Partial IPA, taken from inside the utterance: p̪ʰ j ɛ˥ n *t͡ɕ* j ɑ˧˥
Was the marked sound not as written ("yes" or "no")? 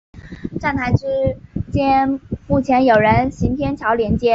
yes